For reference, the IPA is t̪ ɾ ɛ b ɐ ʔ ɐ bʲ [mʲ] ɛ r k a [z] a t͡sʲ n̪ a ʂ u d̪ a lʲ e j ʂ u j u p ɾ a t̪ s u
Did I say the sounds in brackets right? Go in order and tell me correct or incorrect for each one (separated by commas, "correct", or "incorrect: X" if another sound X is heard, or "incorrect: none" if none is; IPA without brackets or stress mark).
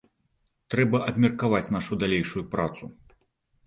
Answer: correct, incorrect: v